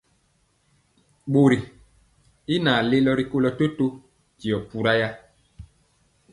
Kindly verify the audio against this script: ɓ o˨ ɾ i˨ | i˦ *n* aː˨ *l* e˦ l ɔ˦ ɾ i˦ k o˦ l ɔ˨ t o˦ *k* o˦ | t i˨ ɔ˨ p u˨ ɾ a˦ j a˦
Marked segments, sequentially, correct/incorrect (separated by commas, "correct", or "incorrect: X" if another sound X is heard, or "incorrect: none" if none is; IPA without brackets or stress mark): correct, correct, incorrect: t